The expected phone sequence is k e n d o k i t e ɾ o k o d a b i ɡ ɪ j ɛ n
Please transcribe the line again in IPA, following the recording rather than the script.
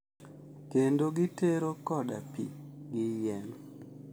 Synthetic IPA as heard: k e n d o ɡ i t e ɾ o k ɔ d a p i ɡ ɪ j ɛ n

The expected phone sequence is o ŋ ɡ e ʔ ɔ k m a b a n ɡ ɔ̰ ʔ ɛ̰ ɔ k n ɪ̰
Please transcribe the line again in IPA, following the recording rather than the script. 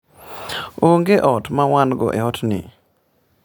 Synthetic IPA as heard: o ŋ ɡ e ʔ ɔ t m a w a n ɡ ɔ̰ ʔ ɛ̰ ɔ t n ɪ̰

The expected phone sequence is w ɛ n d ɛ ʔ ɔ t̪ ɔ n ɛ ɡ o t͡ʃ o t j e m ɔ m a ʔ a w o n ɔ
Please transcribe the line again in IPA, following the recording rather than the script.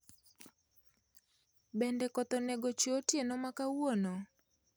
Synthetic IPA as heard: b ɛ n d ɛ k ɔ t̪ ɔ n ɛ ɡ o t͡ʃ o t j e n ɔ m a k a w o n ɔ

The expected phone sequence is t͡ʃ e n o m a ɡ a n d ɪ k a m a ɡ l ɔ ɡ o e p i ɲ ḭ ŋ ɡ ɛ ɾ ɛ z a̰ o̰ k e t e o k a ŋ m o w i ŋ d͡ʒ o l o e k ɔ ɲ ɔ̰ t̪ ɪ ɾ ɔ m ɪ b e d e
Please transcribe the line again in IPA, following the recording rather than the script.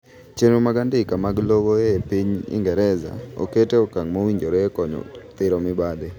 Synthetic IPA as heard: t͡ʃ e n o m a ɡ a n d ɪ k a m a ɡ l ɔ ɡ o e p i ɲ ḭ ŋ ɡ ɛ ɾ ɛ z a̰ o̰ k e t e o k a ŋ m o w i ɲ d͡ʒ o ɾ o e k ɔ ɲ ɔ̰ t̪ ɪ ɾ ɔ m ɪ b a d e

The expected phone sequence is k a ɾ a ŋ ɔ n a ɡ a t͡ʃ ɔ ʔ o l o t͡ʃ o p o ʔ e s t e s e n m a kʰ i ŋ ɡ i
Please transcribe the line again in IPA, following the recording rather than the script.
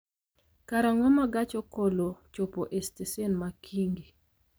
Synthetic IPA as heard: k a ɾ a ŋ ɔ m a ɡ a t͡ʃ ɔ k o l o t͡ʃ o p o ʔ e s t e s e n m a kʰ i ŋ ɡ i

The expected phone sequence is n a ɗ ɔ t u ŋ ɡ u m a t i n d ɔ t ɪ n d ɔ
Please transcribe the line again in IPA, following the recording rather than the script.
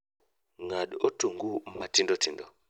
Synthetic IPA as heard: ŋ a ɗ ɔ t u ŋ ɡ u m a t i n d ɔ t i n d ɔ

